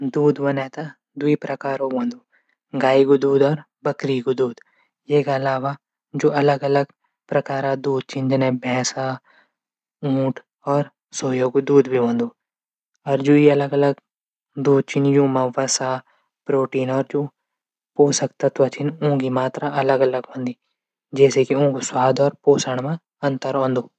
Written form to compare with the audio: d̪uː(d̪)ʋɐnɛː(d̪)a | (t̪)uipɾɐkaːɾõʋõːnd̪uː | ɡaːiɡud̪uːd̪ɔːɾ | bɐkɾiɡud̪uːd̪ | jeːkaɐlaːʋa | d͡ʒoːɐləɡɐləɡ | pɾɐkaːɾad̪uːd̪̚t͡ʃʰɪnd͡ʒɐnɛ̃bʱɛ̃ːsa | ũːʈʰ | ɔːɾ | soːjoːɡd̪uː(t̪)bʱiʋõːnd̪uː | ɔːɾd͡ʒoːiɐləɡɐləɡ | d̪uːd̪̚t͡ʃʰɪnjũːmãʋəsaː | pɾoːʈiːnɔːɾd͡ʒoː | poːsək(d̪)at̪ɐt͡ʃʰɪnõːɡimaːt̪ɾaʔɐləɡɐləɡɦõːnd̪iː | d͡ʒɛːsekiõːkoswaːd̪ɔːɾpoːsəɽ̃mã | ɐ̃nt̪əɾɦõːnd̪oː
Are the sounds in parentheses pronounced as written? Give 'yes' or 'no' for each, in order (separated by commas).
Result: yes, no, no, no, no